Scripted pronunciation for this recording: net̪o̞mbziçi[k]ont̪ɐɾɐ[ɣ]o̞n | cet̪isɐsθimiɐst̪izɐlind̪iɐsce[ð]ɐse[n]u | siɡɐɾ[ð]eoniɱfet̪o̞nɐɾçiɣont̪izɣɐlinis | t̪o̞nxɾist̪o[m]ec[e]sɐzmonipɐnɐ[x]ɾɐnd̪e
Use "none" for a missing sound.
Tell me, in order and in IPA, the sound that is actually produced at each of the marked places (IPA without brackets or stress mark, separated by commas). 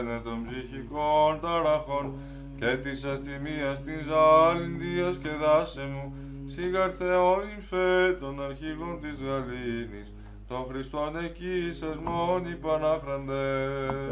k, x, ð, m, θ, n, i, f